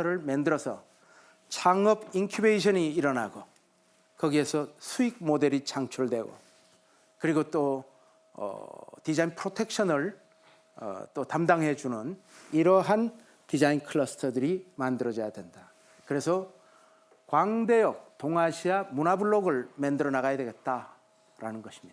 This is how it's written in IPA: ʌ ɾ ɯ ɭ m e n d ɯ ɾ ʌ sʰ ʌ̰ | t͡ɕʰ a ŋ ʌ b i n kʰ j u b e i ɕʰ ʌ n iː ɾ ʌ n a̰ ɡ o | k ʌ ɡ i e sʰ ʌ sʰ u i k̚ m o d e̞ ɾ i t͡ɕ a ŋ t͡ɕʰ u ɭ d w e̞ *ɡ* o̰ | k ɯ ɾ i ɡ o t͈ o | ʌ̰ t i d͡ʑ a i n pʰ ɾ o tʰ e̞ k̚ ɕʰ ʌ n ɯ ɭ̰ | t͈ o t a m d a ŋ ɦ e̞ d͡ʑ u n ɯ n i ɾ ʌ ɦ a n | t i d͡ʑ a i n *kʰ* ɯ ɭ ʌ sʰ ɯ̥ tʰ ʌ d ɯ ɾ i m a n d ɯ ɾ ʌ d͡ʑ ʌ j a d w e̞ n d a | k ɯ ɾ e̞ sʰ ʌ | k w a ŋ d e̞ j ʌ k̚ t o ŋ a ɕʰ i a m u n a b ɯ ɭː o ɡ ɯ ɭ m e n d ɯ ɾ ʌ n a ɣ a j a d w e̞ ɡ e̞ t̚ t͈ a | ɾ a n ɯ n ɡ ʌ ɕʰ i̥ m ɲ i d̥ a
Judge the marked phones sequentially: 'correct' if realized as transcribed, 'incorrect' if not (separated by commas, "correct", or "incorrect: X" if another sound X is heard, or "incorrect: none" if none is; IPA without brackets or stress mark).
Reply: correct, correct